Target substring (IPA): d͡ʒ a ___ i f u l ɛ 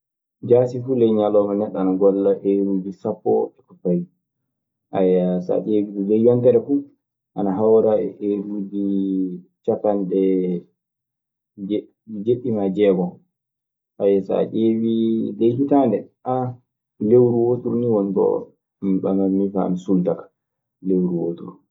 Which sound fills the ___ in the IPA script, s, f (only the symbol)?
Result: s